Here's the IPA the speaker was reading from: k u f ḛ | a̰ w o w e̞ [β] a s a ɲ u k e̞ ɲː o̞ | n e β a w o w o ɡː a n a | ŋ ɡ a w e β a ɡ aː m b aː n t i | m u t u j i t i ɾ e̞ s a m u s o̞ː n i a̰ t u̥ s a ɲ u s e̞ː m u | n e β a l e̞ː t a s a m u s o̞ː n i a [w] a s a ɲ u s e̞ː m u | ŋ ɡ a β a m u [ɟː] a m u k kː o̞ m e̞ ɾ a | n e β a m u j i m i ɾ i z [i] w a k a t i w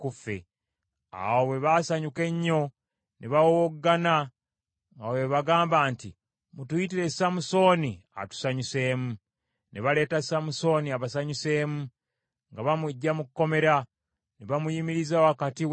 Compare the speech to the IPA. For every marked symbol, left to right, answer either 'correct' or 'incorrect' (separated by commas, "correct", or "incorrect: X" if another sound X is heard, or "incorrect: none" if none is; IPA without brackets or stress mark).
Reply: correct, incorrect: β, correct, incorrect: a